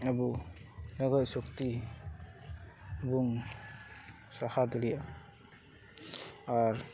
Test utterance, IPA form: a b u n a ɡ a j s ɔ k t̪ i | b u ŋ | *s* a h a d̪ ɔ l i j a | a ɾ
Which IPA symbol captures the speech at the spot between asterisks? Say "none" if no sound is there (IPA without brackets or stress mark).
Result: s